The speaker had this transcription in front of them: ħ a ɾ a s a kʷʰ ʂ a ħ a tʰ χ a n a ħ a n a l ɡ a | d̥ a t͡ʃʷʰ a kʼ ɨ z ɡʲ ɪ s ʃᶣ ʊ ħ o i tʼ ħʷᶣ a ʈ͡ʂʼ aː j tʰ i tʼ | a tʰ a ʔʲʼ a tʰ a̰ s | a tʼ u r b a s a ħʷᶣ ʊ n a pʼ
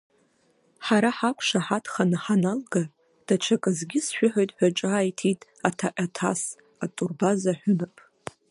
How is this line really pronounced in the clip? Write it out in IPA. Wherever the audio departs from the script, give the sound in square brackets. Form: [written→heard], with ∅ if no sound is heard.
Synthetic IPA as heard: ħ a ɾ a [s→ħ] a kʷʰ ʂ a ħ a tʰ χ a n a ħ a n a l ɡ a | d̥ a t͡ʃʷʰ a kʼ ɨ z ɡʲ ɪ s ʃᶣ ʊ ħ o [i→j] tʼ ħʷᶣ a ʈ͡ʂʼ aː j tʰ i tʼ | a tʰ a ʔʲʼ a tʰ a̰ s | a tʼ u r b a [s→z] a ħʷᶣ ʊ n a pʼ